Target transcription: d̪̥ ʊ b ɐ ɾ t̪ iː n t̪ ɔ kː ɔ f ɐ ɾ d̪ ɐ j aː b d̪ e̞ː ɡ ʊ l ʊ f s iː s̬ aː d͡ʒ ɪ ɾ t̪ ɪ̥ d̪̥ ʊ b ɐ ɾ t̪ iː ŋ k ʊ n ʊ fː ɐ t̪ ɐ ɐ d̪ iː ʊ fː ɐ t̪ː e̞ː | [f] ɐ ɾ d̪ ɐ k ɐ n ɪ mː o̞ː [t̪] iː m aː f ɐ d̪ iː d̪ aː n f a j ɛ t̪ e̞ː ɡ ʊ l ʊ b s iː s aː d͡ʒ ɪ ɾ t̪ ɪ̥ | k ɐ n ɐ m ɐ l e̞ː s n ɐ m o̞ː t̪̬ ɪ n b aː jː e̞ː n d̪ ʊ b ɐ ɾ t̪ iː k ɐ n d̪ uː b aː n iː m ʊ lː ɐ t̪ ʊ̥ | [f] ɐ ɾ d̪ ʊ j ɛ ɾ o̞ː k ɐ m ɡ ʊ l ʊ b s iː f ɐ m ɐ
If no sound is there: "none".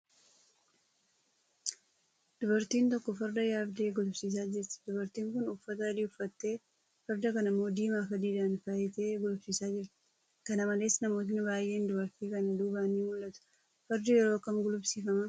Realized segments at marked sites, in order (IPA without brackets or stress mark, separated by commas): f, d̪, f